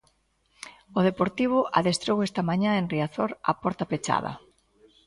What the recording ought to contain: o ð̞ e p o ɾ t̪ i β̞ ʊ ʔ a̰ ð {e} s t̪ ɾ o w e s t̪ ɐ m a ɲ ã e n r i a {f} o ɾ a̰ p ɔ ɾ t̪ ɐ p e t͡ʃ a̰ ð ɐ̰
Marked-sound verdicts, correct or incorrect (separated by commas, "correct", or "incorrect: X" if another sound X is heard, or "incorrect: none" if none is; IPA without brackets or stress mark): correct, incorrect: θ